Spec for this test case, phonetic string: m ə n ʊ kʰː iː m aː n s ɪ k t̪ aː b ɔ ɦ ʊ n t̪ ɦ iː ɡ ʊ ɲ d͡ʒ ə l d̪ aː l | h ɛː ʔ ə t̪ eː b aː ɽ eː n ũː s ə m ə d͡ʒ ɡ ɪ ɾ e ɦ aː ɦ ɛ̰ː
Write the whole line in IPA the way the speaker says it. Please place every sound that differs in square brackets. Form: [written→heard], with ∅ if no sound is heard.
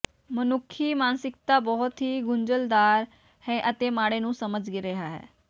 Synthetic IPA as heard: m ə n ʊ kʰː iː m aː n s ɪ k t̪ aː b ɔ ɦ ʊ [n→∅] t̪ ɦ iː ɡ ʊ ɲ d͡ʒ ə l d̪ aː [l→ɾ] | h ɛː ʔ ə t̪ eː [b→m] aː ɽ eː n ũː s ə m ə d͡ʒ ɡ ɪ ɾ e ɦ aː ɦ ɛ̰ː